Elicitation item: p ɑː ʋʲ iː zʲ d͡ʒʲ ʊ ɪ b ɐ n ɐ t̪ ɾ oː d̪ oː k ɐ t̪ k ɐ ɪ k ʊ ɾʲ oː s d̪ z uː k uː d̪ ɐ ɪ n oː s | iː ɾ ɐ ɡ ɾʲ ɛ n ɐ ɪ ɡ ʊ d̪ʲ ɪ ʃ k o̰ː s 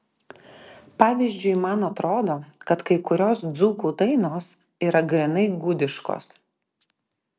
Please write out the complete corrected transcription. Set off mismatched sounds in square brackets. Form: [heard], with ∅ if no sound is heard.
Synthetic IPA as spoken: p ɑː ʋʲ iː zʲ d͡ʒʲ ʊ ɪ [m] ɐ n ɐ t̪ ɾ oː d̪ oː k ɐ t̪ k ɐ ɪ k ʊ ɾʲ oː s d̪ z uː k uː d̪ ɐ ɪ n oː s | iː ɾ ɐ ɡ ɾʲ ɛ n ɐ ɪ ɡ ʊ d̪ʲ ɪ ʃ k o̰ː s